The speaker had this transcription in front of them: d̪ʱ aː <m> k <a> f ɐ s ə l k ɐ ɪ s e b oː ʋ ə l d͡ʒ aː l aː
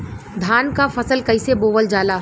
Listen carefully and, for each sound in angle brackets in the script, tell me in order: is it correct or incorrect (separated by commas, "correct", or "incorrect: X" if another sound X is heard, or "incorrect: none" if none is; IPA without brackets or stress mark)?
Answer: incorrect: n, correct